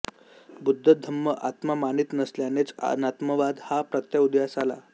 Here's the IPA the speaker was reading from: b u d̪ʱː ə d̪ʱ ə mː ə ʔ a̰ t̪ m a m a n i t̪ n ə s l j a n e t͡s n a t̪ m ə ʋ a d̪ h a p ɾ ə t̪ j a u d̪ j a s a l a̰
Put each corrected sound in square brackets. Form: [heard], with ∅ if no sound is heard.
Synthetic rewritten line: b u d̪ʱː ə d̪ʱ ə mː ə ʔ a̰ t̪ m a m a n i t̪ n ə s l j a n e t͡s n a t̪ m ə ʋ a d̪ h a p ɾ ə t̪ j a u d̪ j a s a l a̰